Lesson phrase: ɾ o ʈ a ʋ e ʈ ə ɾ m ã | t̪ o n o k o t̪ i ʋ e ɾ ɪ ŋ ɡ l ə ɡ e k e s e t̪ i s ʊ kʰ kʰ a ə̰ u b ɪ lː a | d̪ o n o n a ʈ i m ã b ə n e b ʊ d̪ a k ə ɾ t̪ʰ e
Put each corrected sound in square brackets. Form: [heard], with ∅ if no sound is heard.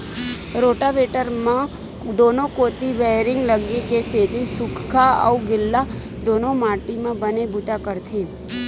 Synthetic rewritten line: ɾ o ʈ a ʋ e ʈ ə ɾ m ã | [d̪] o n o k o t̪ i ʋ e ɾ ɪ ŋ ɡ l ə ɡ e k e s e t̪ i s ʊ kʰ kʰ a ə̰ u [ɡ] ɪ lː a | d̪ o n o [m] a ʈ i m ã b ə n e b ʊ [t̪] a k ə ɾ t̪ʰ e